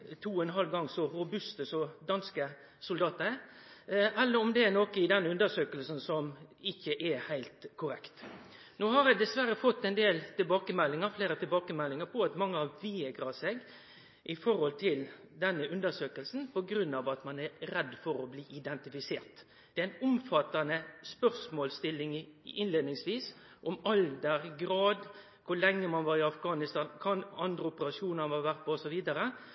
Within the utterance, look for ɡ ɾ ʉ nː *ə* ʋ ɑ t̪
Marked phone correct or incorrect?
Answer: incorrect